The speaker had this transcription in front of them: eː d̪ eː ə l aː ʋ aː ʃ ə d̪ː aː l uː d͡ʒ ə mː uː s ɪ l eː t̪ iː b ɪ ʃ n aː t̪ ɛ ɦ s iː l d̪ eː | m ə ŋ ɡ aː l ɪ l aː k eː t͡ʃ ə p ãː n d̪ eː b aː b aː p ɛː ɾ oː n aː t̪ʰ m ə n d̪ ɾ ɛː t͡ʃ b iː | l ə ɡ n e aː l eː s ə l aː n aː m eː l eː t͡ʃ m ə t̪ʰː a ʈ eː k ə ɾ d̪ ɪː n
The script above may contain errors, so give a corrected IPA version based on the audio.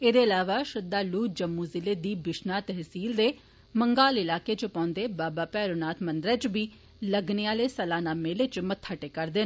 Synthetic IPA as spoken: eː d̪ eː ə l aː ʋ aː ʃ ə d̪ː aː l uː d͡ʒ ə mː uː z ɪ l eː d̪ iː b ɪ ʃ n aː t̪ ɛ ɦ s iː l d̪ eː | m ə ŋ ɡ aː l ɪ l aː k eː t͡ʃ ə p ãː n d̪ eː b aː b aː p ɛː ɾ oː n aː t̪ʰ m ə n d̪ ɾ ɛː t͡ʃ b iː | l ə ɡ n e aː l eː s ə l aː n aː m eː l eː t͡ʃ m ə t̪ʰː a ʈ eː k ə ɾ d̪ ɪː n